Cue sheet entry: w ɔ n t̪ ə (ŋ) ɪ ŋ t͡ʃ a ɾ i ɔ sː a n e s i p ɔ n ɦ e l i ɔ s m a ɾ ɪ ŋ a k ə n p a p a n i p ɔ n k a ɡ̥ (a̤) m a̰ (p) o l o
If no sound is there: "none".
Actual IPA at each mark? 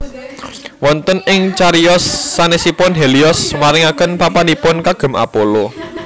n, ə̤, p

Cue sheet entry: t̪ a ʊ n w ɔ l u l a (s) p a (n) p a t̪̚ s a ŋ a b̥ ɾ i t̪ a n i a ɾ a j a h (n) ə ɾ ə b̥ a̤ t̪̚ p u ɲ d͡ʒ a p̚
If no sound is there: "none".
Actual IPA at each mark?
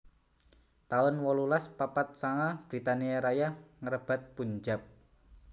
s, none, ŋ

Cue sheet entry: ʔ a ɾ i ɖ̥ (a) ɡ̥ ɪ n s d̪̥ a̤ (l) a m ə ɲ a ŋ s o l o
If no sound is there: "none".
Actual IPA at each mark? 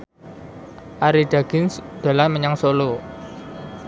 a, l

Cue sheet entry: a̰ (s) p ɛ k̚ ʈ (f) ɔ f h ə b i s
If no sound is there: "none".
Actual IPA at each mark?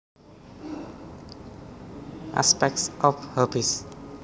s, s

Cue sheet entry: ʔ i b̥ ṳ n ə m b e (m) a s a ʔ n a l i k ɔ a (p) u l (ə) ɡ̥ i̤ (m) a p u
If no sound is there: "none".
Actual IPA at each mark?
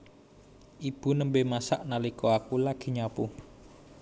m, k, a, ɲ

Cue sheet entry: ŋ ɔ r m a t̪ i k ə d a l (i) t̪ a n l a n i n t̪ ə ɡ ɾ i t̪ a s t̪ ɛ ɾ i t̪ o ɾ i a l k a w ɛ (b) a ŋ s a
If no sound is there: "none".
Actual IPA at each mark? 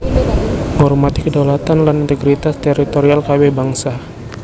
a, b

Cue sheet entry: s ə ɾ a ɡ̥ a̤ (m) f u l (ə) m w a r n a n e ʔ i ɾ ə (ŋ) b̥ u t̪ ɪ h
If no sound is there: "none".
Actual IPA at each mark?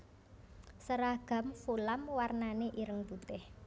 m, a, ŋ

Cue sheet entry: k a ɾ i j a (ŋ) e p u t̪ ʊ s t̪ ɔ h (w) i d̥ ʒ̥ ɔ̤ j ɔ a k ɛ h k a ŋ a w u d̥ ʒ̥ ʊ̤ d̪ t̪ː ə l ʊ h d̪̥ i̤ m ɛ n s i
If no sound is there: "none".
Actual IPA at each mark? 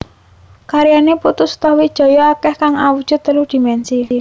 n, w

